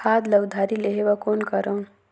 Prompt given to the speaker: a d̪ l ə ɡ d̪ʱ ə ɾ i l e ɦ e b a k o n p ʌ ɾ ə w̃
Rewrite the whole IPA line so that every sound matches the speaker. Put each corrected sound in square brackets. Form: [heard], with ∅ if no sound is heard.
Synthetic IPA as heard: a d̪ l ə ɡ d̪ʱ [a] ɾ i l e ɦ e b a k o n [k] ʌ ɾ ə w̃